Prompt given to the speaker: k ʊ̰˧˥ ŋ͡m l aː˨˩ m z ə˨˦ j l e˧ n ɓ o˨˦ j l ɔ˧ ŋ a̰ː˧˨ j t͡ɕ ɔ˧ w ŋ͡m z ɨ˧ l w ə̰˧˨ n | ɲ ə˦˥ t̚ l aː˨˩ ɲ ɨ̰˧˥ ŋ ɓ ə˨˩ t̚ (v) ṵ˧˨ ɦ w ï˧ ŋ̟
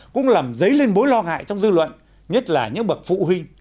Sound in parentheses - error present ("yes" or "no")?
yes